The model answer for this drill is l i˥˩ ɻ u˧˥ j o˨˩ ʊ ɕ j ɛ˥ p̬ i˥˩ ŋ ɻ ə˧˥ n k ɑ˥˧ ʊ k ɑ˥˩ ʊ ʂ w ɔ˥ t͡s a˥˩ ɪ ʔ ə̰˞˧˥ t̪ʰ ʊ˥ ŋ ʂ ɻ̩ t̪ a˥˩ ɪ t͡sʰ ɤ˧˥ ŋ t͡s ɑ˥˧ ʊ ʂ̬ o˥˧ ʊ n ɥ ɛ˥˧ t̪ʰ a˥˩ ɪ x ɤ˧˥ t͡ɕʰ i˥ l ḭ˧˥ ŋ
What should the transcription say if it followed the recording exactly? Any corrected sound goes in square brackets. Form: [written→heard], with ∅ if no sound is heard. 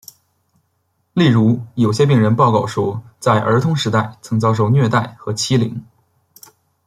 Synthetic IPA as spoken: l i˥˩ ɻ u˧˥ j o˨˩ ʊ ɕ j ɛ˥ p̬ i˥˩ ŋ ɻ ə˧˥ n [k→p] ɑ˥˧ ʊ k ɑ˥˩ ʊ ʂ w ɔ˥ t͡s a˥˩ ɪ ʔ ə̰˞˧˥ t̪ʰ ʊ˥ ŋ ʂ ɻ̩ t̪ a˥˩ ɪ t͡sʰ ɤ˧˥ ŋ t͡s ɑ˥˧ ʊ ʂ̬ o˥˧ ʊ n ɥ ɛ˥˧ [t̪ʰ→t̪] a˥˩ ɪ x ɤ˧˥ t͡ɕʰ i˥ l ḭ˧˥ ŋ